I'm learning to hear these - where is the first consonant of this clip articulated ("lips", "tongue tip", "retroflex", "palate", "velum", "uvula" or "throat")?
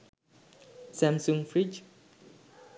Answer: tongue tip